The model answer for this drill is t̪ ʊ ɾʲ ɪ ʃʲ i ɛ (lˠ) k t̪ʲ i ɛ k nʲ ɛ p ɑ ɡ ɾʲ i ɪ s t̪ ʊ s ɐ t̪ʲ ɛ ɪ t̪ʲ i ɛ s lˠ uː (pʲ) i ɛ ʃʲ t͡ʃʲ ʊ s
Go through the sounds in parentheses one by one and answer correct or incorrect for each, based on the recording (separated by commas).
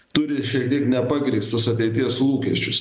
incorrect, incorrect